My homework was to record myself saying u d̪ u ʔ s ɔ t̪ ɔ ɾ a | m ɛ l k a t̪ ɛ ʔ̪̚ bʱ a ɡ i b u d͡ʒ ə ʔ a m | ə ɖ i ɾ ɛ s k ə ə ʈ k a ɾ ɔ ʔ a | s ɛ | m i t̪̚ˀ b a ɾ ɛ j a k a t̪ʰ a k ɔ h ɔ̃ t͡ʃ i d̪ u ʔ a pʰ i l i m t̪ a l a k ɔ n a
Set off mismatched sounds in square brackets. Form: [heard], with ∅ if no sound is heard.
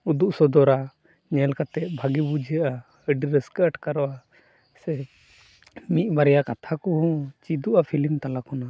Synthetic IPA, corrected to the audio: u d̪ u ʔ s ɔ [d̪] ɔ ɾ a | [ɲ] ɛ l k a t̪ ɛ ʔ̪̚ bʱ a ɡ i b u d͡ʒ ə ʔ a [∅] | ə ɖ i ɾ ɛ s k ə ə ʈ k a ɾ ɔ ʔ a | s ɛ | m i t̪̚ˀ b a ɾ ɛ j a k a t̪ʰ a k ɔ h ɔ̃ t͡ʃ i d̪ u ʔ a pʰ i l i m t̪ a l a k ɔ n a